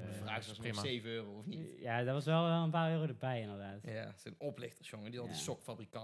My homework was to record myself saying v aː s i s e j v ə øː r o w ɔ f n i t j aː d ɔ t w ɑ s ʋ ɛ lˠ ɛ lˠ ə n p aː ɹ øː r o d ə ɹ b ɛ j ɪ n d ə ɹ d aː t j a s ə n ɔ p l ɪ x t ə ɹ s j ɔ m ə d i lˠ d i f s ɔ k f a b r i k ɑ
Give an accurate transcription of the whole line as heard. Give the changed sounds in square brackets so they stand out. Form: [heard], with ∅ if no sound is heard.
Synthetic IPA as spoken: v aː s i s e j v ə øː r o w ɔ f n i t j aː d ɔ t [ʋ] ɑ s ʋ ɛ lˠ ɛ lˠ ə n p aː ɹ øː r o d ə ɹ b ɛ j ɪ n d ə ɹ d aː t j a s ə n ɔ p l ɪ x t ə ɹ s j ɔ [ŋ] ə d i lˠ d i [∅] s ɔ k f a b r i k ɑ